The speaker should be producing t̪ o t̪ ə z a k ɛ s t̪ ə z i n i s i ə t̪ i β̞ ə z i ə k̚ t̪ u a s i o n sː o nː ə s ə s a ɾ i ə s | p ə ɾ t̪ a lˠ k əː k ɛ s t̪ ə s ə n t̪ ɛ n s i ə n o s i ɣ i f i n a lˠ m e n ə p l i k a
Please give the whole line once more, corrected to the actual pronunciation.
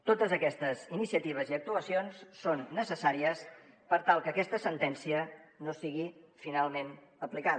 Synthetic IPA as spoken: t̪ o t̪ ə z ə k ɛ s t̪ ə z i n i s i ə t̪ i β̞ ə z i ə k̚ t̪ u ə s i o n sː o nː ə s ə s a ɾ i ə s | p ə ɾ t̪ a lˠ k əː k ɛ s t̪ ə s ə n t̪ ɛ n s i ə n o s i ɣ i f i n a lˠ m e n ə p l i k a

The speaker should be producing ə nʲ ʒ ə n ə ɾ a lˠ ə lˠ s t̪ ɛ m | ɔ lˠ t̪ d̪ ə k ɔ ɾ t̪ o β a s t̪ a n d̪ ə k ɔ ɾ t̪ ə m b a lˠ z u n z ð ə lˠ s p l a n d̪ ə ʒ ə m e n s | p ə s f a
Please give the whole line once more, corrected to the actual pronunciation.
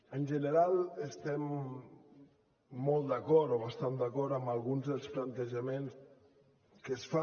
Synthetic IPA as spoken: ə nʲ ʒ ə n ə ɾ a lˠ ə s t̪ ɛ m | ɔ lˠ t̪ d̪ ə k ɔ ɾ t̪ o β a s t̪ a n d̪ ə k ɔ ɾ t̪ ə m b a lˠ ɣ u n z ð ə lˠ s p l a n t̪ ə ʒ ə m e n s | k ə s f a

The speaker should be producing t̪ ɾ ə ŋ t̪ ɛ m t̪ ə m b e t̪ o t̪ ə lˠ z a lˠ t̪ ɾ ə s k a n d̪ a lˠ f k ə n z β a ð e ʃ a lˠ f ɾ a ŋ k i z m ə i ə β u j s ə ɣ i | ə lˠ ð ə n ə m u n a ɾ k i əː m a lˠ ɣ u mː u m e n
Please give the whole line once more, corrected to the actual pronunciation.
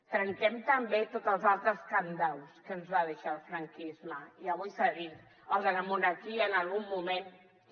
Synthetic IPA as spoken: t̪ ɾ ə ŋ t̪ ɛ m t̪ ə m b e t̪ o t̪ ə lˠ z a lˠ t̪ ɾ ə s k a n d̪ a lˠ s k ə n z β a ð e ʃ a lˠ f ɾ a ŋ k i z m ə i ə β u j s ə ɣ i | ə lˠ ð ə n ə m u n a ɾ k i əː n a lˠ ɣ u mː u m e n

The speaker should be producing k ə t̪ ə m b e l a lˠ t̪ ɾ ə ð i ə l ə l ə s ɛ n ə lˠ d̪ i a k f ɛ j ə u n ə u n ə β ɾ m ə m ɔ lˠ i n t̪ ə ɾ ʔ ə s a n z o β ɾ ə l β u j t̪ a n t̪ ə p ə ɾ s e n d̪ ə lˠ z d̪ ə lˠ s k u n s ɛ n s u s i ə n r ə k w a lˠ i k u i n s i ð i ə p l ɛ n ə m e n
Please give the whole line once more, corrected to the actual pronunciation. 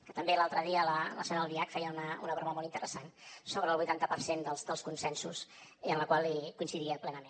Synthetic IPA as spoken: k ə t̪ ə m b e l a lˠ t̪ ɾ ə ð i ə l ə l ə s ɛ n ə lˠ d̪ i a k f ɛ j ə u n ə u n ə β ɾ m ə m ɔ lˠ i n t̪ ə ɾ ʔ ə s a n s o β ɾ ə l β u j t̪ a n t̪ ə p ə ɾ s e n d̪ ə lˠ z d̪ ə lˠ s k u n s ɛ n s u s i ə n l ə k w a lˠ i k u i n s i ð i ə p l ɛ n ə m e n

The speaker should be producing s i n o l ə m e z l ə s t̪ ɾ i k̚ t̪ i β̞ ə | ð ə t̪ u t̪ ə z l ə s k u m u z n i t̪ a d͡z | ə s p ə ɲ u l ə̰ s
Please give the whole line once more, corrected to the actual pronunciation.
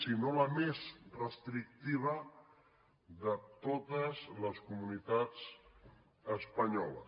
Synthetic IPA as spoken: s i n o l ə m e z r ə s t̪ ɾ i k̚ t̪ i β̞ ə | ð ə t̪ o t̪ ə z l ə s k u m u n i t̪ a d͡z | ə s p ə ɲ ɔ l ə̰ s

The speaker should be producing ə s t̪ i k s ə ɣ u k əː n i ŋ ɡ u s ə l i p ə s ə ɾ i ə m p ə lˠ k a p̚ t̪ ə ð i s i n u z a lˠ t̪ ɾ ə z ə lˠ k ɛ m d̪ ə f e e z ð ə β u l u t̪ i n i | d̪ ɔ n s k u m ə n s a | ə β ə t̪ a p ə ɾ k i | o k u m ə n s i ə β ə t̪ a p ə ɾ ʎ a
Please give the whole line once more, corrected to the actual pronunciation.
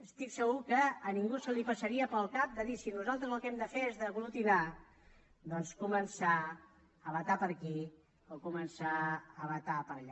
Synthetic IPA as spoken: ə s t̪ i k s ə ɣ u k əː n i ŋ ɡ u s ə l i p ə s ə ɾ i ə p ə lˠ k a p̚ d̪ ə ð i s i n u z a lˠ t̪ ɾ ə z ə lˠ k ɛ m d̪ ə f e e z ð ə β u l u t̪ i n a | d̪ ɔ n s k u m ə n s a | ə β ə t̪ a p ə ɾ k i | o k u m ə n s a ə β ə t̪ a p ə ɾ ʎ a

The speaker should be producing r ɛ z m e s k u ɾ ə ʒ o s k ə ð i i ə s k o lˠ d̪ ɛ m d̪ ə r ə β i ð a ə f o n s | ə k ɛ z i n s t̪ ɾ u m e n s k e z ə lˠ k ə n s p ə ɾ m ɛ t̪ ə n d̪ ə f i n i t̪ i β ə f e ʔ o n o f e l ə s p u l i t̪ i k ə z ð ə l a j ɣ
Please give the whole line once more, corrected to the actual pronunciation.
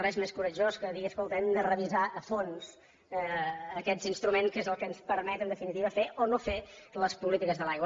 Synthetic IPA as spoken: r ɛ z m e s k u ɾ ə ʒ o s k ə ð i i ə s k o lˠ t̪ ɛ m d̪ ə r ə β i z a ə f o n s | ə k ɛ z i n s t̪ ɾ u m e n s k e z ə lˠ k ə n s p ə ɾ m ɛ t̪ ə n d̪ ə f i n i t̪ i β ə f e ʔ o n o f e l ə s p u l i t̪ i k ə z ð ə l a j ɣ

